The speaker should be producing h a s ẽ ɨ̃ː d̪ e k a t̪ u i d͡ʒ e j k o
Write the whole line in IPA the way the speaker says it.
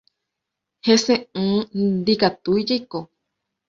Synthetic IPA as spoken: h e s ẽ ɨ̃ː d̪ i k a t̪ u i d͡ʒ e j k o